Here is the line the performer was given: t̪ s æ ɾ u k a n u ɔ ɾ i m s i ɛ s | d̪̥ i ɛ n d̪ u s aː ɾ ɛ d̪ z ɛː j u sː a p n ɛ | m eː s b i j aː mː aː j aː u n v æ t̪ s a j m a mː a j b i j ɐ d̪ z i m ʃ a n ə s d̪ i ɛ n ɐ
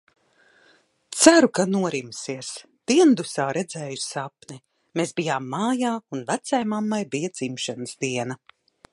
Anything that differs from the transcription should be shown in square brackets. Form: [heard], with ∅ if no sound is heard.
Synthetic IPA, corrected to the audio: t̪ s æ ɾ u k a n u ɔ ɾ i m s i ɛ s | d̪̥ i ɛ n d̪ u s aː ɾ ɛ d̪ z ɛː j u [s] a p n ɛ | m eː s b i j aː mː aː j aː u n v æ t̪ s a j m a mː a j b i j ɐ d̪ z i m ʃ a n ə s d̪ i ɛ n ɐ